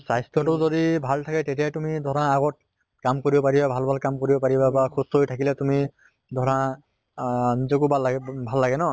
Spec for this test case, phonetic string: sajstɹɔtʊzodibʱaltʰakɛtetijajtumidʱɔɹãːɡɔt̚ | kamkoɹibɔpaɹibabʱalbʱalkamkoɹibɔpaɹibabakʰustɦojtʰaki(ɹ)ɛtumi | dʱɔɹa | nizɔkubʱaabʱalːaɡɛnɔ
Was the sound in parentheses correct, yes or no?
no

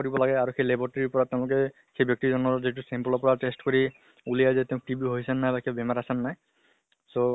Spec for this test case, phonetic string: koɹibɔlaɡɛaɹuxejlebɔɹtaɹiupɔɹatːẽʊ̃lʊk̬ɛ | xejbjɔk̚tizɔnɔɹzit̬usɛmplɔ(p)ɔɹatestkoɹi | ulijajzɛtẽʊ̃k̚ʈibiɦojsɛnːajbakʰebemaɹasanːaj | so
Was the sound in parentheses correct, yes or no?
yes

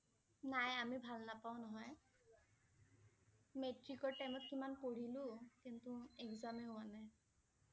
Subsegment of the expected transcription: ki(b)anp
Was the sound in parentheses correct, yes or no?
no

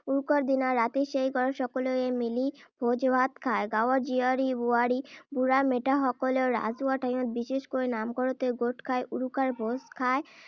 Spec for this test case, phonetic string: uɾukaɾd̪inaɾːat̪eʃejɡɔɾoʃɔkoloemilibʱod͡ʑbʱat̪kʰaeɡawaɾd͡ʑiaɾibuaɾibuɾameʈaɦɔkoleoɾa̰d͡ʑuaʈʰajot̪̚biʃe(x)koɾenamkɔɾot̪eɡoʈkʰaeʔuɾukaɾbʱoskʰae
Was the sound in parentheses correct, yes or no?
no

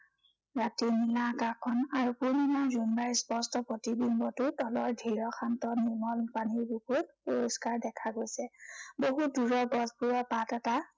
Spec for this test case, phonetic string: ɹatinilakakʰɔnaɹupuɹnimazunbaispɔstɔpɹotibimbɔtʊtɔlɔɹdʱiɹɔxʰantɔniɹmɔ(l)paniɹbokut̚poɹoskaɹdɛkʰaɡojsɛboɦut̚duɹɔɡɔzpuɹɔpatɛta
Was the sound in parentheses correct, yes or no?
yes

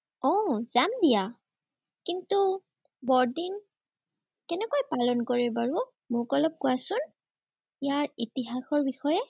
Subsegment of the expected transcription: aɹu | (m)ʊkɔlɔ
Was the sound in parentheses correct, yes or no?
yes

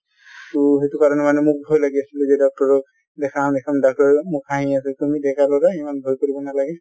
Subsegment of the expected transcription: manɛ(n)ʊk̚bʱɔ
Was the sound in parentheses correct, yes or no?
no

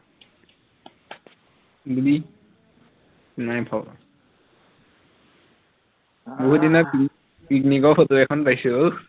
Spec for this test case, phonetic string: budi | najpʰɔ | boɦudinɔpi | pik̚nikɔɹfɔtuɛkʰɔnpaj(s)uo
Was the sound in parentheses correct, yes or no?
yes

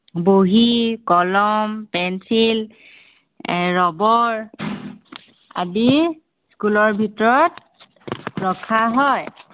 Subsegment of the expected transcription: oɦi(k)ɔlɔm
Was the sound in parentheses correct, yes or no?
yes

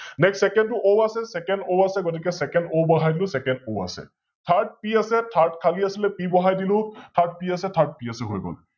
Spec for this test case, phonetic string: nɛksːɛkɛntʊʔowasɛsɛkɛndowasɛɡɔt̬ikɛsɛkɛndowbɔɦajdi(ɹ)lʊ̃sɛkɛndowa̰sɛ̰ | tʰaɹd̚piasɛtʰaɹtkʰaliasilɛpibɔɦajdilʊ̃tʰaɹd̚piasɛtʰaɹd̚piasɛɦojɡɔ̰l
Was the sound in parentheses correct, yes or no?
no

